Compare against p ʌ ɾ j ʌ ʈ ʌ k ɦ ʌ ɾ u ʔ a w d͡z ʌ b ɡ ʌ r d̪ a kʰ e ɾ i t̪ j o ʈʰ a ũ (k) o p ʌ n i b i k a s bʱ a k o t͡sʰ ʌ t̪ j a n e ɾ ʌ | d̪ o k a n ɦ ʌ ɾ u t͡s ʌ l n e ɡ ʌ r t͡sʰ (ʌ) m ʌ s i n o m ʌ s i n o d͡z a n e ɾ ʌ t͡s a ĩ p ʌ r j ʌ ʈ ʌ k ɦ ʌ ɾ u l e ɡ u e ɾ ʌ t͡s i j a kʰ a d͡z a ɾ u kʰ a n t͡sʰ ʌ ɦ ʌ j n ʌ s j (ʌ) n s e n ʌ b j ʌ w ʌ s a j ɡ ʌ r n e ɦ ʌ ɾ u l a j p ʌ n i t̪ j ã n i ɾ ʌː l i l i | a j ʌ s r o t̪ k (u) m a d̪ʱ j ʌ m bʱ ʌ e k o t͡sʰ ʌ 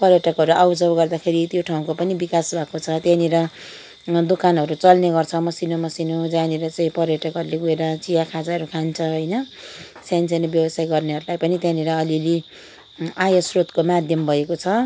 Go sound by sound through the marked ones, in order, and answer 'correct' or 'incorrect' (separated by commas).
correct, correct, incorrect, incorrect